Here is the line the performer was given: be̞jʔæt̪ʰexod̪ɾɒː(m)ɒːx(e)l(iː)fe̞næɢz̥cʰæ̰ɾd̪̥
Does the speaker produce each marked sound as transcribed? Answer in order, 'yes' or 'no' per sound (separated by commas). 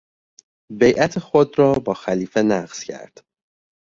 no, no, yes